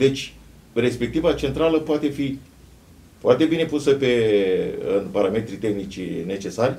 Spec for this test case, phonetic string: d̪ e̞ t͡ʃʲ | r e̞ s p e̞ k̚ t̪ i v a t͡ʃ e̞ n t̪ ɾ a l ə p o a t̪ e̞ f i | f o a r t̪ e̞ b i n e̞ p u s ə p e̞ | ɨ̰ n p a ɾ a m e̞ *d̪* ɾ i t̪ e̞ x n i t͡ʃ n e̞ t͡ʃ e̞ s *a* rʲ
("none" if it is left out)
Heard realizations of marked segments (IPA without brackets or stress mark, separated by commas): t̪, a